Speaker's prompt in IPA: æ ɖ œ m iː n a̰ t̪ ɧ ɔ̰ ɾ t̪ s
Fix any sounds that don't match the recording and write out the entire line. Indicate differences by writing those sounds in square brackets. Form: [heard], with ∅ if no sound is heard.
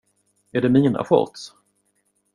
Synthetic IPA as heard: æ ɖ [ɛ] m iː n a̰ [∅] ɧ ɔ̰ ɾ t̪ s